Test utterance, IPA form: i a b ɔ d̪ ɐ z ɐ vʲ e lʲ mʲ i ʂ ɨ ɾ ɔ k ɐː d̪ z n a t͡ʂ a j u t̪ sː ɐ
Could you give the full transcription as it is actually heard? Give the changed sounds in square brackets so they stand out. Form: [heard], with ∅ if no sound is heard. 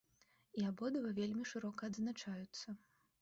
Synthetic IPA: i a b ɔ d̪ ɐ [v] ɐ vʲ e lʲ mʲ i ʂ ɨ ɾ ɔ k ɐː d̪ z n a t͡ʂ a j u t̪ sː ɐ

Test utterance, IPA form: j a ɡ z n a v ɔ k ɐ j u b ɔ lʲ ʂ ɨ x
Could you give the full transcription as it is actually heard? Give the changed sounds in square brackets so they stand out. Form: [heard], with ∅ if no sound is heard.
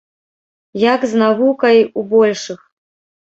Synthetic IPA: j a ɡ z n a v [u] k ɐ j u b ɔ lʲ ʂ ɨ x

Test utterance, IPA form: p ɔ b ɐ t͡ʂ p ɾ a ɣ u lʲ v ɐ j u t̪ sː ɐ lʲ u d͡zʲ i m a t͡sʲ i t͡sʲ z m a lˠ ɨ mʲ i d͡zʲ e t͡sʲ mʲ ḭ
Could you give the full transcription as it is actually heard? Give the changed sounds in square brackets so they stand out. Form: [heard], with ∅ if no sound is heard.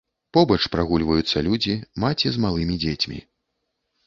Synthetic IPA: p ɔ b ɐ t͡ʂ p ɾ a ɣ u lʲ v ɐ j u t̪ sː ɐ lʲ u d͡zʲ i m a t͡sʲ i [∅] z m a lˠ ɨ mʲ i d͡zʲ e t͡sʲ mʲ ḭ

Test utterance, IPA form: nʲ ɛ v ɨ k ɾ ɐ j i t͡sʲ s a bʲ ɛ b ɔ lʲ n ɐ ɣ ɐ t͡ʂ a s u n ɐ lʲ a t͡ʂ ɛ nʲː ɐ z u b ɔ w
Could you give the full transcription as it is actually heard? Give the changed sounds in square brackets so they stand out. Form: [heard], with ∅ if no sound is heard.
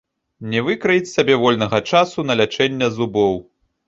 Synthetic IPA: nʲ ɛ v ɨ k ɾ ɐ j i t͡sʲ s a bʲ ɛ [v] ɔ lʲ n ɐ ɣ ɐ t͡ʂ a s u n ɐ lʲ a t͡ʂ ɛ nʲː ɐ z u b ɔ w

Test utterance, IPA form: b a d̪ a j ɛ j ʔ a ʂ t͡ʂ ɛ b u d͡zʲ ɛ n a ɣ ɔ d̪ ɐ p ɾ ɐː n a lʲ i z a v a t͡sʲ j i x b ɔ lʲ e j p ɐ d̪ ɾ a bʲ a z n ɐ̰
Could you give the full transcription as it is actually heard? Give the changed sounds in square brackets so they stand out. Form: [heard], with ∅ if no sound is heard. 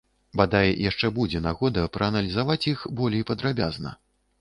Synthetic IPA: b a d̪ a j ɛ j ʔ a ʂ t͡ʂ ɛ b u d͡zʲ ɛ n a ɣ ɔ d̪ ɐ p ɾ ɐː n [ɐ] lʲ i z a v a t͡sʲ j i x b ɔ lʲ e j p ɐ d̪ ɾ a bʲ a z n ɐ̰

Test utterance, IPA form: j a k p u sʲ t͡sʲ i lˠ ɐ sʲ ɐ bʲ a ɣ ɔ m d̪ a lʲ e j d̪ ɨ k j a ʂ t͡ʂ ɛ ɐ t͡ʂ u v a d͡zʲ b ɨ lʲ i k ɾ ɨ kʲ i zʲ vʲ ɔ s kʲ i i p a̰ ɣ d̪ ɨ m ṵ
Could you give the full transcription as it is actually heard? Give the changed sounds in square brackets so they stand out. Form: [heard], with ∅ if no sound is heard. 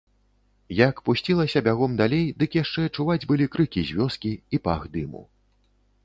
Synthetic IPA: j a k p u sʲ t͡sʲ i lˠ ɐ sʲ ɐ bʲ a ɣ ɔ m d̪ a lʲ e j d̪ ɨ k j a ʂ t͡ʂ ɛ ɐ t͡ʂ u v a d͡zʲ b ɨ lʲ i k ɾ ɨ kʲ i zʲ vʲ ɔ s kʲ i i p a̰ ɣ d̪ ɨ m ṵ

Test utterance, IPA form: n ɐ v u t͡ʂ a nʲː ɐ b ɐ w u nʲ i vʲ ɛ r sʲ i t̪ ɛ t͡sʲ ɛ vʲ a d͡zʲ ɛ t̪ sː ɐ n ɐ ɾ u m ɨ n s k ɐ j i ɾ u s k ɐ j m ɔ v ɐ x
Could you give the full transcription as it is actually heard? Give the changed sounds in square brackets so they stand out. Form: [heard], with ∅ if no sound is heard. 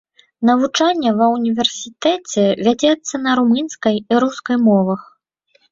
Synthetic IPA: n ɐ v u t͡ʂ a nʲː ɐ [v] ɐ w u nʲ i vʲ ɛ r sʲ i t̪ ɛ t͡sʲ ɛ vʲ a d͡zʲ ɛ t̪ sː ɐ n ɐ ɾ u m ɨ n s k ɐ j i ɾ u s k ɐ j m ɔ v ɐ x

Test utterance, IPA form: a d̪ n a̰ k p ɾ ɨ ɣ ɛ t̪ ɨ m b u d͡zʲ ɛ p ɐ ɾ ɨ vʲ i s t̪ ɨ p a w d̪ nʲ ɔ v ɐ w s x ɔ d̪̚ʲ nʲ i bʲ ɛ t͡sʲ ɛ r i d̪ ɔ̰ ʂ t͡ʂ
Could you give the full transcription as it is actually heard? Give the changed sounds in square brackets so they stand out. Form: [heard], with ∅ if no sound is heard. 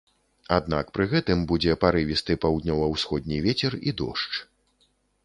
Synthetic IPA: a d̪ n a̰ k p ɾ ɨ ɣ ɛ t̪ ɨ m b u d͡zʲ ɛ p [a] ɾ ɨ vʲ i s t̪ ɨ p a w d̪ nʲ ɔ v ɐ w s x ɔ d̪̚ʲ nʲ i [vʲ] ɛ t͡sʲ ɛ r i d̪ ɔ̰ ʂ t͡ʂ

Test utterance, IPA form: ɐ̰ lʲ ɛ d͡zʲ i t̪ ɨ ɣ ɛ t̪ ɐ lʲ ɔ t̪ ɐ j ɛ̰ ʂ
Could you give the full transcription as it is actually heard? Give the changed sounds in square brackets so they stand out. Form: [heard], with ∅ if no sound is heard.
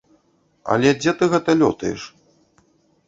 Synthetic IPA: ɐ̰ lʲ ɛ d͡zʲ [ɛ] t̪ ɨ ɣ ɛ t̪ ɐ lʲ ɔ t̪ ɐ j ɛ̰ ʂ

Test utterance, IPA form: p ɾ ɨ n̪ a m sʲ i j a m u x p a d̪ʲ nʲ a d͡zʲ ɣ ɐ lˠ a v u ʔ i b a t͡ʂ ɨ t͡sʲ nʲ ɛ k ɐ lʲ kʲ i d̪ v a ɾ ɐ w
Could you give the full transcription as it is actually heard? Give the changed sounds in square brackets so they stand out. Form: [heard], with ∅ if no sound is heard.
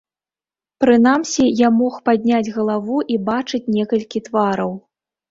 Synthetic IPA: p ɾ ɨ n̪ a m sʲ i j a m [ɔ] x p a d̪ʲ nʲ a d͡zʲ ɣ ɐ lˠ a v u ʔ i b a t͡ʂ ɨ t͡sʲ nʲ ɛ k ɐ lʲ kʲ i [t̪] v a ɾ ɐ w

